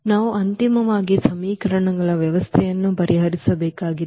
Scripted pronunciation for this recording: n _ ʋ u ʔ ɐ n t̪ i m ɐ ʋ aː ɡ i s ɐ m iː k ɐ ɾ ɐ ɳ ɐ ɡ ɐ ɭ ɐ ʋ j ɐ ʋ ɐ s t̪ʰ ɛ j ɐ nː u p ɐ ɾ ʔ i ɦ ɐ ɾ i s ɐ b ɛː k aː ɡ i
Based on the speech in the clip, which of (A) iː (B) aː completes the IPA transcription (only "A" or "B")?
B